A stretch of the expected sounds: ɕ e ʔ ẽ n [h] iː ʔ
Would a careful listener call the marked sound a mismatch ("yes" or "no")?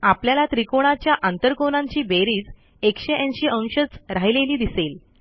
yes